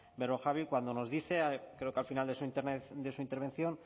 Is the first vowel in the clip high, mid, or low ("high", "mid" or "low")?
mid